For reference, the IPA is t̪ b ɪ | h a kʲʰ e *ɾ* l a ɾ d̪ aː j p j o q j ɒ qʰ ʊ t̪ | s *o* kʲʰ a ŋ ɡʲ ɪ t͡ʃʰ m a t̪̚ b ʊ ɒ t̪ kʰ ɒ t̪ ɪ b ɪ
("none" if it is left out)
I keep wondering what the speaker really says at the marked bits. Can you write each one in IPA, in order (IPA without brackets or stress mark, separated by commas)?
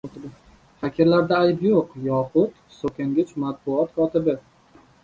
ɾ, o